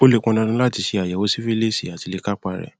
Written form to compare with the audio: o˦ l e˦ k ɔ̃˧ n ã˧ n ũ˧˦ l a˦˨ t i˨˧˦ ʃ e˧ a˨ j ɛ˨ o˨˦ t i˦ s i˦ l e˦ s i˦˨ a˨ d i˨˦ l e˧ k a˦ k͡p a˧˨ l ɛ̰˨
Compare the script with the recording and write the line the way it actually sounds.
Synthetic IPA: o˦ l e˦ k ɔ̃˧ n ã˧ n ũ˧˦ l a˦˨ t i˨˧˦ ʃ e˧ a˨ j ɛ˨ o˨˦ s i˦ f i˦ l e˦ s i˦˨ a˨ t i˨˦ l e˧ k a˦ k͡p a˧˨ ɾ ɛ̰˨